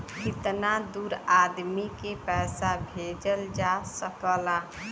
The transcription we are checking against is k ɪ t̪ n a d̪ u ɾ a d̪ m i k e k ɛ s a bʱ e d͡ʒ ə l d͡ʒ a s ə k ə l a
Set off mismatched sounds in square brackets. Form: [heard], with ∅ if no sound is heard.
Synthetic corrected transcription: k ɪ t̪ n a d̪ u ɾ a d̪ m i k e [p] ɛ s a bʱ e d͡ʒ ə l d͡ʒ a s ə k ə l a